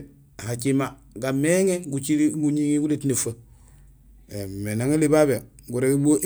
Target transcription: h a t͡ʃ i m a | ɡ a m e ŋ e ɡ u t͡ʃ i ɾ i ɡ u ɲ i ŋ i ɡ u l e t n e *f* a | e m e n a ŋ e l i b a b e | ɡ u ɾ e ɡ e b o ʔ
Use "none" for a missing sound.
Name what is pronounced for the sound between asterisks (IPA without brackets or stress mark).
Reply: f